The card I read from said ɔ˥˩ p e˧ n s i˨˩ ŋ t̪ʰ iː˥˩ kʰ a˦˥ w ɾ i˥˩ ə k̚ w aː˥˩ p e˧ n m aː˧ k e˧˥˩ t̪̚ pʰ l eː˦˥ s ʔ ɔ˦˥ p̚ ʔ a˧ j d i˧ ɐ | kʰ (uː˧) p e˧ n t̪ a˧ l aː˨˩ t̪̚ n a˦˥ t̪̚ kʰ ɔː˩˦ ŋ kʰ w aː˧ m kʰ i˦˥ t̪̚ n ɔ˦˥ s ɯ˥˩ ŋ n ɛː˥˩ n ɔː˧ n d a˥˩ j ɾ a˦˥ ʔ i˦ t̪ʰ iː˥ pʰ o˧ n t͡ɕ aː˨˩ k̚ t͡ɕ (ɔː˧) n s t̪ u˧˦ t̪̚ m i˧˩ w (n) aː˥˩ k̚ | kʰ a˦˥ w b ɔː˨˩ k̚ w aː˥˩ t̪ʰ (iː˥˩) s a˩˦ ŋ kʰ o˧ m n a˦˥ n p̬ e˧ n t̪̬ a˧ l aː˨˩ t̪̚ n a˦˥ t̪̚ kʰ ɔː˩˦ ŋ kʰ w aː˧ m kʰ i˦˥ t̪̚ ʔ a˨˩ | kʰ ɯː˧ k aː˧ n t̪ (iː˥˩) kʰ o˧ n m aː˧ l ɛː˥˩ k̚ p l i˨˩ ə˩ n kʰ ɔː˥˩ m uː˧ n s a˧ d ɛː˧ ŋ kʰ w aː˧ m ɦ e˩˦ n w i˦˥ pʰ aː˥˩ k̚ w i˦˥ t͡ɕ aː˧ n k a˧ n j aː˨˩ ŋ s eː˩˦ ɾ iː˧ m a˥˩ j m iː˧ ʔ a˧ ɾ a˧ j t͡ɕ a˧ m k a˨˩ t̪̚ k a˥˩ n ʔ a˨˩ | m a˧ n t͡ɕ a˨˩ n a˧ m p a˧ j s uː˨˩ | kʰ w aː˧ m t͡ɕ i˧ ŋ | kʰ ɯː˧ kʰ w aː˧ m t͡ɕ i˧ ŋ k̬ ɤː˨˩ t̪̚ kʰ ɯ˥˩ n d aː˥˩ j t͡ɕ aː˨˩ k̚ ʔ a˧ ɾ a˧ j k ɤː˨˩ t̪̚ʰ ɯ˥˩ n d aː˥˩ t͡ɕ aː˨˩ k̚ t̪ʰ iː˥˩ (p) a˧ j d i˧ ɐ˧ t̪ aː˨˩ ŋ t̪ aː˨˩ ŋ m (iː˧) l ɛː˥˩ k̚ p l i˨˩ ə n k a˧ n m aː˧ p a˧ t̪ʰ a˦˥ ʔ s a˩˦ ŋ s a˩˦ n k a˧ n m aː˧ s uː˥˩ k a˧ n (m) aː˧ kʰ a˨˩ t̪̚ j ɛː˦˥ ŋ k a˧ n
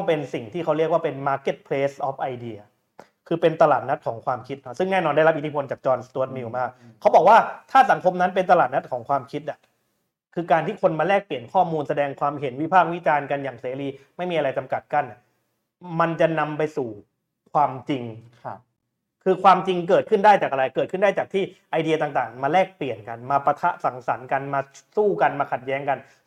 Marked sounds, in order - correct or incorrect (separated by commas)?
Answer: incorrect, correct, incorrect, incorrect, correct, incorrect, incorrect, correct